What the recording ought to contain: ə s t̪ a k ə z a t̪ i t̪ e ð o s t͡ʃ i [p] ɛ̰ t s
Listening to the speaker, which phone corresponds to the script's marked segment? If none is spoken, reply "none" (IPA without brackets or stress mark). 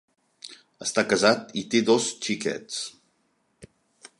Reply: k